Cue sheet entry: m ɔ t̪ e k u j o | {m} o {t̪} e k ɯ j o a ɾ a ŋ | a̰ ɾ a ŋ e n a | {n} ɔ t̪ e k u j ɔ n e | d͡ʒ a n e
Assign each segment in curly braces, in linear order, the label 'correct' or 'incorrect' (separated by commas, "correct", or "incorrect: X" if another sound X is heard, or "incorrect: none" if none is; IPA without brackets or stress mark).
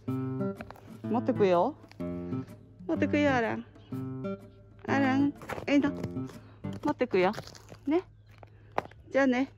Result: correct, correct, incorrect: m